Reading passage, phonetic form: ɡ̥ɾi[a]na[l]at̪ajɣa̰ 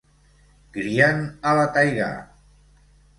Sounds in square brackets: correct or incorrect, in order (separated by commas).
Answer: correct, correct